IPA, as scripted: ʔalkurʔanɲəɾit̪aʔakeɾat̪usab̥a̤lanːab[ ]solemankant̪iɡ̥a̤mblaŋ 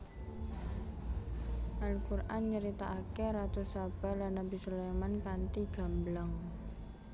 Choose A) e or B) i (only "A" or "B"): B